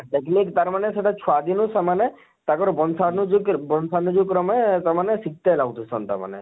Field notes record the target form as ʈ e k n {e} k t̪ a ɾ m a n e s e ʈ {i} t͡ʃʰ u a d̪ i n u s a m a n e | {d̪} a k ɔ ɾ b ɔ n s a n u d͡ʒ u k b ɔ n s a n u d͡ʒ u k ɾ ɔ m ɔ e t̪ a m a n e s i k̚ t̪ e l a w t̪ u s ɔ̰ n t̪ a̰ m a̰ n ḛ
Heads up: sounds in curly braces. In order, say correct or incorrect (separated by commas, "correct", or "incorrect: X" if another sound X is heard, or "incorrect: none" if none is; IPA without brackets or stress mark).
incorrect: i, incorrect: a, incorrect: t̪